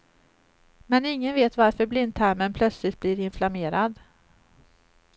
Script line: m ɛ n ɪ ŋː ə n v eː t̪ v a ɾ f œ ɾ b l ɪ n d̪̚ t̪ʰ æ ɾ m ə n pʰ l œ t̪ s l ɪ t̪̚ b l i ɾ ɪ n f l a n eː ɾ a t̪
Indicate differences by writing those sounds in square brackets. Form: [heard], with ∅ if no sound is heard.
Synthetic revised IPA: m ɛ n ɪ ŋː ə n v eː t̪ v a ɾ f œ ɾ b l ɪ n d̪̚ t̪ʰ æ ɾ m ə n pʰ l œ t̪ s l ɪ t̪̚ b l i ɾ ɪ n f l a [m] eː ɾ a [d̪]